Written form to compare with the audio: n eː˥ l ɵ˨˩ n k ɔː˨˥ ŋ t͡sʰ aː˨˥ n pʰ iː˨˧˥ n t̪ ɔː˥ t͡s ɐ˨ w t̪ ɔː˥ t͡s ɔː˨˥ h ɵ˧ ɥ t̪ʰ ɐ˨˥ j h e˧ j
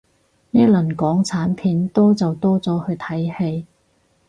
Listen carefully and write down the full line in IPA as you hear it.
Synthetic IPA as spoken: n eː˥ l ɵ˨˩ n k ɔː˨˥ ŋ t͡sʰ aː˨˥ n pʰ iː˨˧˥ n t̪ ɔː˥ t͡s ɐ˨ w t̪ ɔː˥ t͡s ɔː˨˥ h ɵ˧ ɥ t̪ʰ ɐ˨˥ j h e˧ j

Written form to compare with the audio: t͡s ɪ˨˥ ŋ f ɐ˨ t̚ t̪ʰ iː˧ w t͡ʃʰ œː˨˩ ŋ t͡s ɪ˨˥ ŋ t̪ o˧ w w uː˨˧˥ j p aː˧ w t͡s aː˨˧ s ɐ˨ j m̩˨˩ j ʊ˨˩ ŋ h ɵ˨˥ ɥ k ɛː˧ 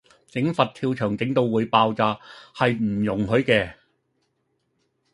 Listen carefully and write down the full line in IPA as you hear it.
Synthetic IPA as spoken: t͡s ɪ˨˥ ŋ f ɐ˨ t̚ t̪ʰ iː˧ w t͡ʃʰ œː˨˩ ŋ t͡s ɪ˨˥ ŋ t̪ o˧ w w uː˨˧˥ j p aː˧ w t͡s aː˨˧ h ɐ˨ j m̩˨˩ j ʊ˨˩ ŋ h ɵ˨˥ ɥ k ɛː˧

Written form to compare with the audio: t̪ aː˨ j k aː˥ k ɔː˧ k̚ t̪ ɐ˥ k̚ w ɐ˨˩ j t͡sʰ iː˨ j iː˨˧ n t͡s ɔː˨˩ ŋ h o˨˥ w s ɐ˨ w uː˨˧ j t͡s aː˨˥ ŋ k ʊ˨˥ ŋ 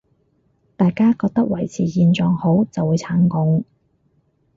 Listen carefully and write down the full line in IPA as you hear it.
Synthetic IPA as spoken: t̪ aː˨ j k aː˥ k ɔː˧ k̚ t̪ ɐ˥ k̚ w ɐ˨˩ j t͡sʰ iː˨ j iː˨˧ n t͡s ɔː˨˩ ŋ h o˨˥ w t͡s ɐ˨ w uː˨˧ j t͡sʰ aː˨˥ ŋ k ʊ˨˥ ŋ

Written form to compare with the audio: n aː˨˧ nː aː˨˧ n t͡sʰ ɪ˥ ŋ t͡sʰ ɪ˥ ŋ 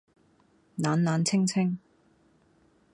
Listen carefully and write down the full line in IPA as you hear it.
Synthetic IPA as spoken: n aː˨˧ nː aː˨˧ n t͡sʰ ɪ˥ ŋ t͡sʰ ɪ˥ ŋ

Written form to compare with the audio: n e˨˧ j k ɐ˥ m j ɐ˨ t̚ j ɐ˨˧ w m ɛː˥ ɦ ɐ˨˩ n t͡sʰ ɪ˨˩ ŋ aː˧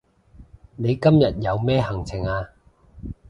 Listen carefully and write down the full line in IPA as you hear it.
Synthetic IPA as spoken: n e˨˧ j k ɐ˥ m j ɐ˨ t̚ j ɐ˨˧ w m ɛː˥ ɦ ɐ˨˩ ŋ t͡sʰ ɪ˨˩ ŋ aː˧

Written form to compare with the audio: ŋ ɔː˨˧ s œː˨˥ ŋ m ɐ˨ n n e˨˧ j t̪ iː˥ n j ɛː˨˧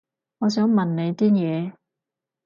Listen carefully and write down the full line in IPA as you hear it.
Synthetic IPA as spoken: ŋ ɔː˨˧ s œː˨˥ ŋ m ɐ˨ n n e˨˧ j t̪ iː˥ n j ɛː˨˧

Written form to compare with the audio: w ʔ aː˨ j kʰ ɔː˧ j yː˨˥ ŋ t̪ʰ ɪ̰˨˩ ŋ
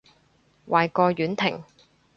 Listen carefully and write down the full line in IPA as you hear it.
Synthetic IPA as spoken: w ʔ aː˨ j k ɔː˧ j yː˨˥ n t̪ʰ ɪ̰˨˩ ŋ

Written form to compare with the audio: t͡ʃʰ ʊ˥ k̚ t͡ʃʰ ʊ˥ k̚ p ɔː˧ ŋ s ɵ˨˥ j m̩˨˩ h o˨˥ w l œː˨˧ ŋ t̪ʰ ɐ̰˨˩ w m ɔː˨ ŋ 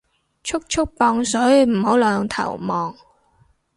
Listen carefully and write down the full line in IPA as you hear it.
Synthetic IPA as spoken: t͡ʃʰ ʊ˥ k̚ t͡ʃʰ ʊ˥ k̚ p ɔː˧ ŋ s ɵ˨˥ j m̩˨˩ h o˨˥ w l œː˨˧ ŋ t̪ʰ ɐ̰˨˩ w m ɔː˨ ŋ

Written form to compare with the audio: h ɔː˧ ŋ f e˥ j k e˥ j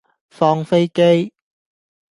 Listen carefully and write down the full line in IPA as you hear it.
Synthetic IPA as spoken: f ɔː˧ ŋ f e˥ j k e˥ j

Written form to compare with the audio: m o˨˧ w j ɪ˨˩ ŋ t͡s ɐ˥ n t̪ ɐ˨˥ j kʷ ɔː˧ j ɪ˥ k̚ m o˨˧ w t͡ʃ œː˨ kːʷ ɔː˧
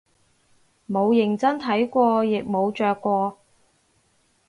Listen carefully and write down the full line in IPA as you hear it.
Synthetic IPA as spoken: m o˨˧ w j ɪ˨˩ ŋ t͡s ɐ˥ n t̪ʰ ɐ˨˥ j kʷ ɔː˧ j ɪ˨ k̚ m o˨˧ w t͡ʃ œː˨ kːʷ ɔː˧

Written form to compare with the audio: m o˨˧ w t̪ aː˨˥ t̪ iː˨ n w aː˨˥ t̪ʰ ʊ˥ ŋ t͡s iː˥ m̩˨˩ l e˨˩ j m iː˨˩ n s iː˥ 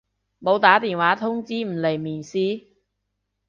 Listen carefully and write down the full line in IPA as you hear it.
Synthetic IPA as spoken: m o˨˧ w t̪ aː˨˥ t̪ iː˨ n w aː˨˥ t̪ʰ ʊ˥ ŋ t͡s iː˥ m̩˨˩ l e˨˩ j m iː˨˩ n s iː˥

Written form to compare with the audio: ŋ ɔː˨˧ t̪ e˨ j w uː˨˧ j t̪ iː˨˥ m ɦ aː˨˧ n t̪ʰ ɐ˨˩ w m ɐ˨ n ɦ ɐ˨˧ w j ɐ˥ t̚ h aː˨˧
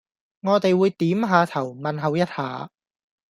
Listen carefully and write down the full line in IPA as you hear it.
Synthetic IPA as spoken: ŋ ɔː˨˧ t̪ e˨ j w uː˨˧ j t̪ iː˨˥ m ɦ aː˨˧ t̪ʰ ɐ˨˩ w m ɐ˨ n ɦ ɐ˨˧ w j ɐ˥ t̚ h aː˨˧

